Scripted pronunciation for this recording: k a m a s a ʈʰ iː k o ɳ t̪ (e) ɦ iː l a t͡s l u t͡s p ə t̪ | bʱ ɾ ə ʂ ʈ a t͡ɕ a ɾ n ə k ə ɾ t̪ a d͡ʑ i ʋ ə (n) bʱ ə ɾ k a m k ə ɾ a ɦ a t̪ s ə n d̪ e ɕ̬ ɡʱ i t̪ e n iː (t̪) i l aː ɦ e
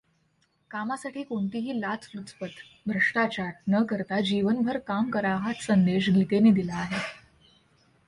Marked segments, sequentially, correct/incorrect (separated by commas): incorrect, correct, incorrect